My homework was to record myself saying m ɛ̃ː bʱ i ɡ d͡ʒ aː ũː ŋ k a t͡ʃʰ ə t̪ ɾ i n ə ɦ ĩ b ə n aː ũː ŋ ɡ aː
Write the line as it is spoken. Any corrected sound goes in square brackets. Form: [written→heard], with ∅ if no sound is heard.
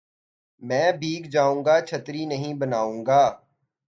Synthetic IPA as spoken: m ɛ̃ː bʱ [i→iː] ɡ d͡ʒ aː ũː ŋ [k→ɡ] a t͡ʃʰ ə t̪ ɾ i n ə ɦ ĩ b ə n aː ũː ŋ ɡ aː